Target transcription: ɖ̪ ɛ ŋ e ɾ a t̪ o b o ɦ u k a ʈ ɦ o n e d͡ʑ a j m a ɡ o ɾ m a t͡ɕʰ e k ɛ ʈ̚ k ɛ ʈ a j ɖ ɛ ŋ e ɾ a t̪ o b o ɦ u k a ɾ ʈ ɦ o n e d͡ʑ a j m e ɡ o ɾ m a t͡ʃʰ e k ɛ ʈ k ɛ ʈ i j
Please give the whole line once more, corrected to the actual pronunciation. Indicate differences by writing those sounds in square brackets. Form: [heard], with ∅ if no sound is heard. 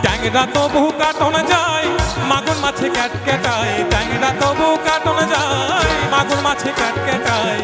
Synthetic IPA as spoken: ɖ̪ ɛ ŋ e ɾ a t̪ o b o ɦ u k a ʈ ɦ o n e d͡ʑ a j m a ɡ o ɾ m a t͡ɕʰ e k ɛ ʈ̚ k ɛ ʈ a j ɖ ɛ ŋ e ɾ a t̪ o b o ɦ u k a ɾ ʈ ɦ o n e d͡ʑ a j m [a] ɡ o ɾ m a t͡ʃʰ e k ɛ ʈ k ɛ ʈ [a] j